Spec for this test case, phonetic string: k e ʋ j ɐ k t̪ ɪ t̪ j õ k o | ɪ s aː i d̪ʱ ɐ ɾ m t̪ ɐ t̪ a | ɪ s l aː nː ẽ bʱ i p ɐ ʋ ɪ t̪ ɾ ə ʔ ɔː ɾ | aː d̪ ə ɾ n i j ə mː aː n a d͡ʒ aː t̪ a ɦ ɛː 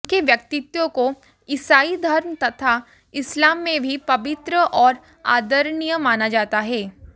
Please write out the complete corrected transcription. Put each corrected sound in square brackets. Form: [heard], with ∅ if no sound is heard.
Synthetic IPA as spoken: k e ʋ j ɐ k t̪ ɪ t̪ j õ k o | ɪ s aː i d̪ʱ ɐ ɾ m t̪ ɐ [t̪ʰ] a | ɪ s l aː [mː] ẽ bʱ i p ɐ ʋ ɪ t̪ ɾ ə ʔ ɔː ɾ | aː d̪ ə ɾ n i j ə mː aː n a d͡ʒ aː t̪ a ɦ ɛː